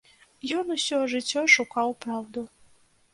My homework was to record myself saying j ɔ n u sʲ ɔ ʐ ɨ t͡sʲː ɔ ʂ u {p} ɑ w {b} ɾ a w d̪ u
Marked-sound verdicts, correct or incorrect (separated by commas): incorrect, incorrect